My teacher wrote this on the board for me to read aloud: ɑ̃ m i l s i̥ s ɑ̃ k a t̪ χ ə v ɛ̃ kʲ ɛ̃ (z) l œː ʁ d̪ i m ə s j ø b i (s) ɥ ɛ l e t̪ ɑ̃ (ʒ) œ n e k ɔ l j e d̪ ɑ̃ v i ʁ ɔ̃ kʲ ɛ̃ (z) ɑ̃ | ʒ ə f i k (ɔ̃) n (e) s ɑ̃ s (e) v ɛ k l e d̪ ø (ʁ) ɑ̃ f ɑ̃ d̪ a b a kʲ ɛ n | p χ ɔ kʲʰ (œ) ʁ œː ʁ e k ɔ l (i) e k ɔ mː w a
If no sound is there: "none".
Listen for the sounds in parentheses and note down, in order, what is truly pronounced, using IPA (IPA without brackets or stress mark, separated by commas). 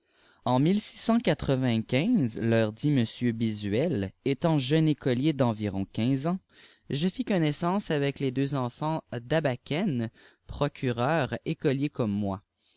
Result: z, z, ʒ, z, ɔ, ɛ, a, z, y, j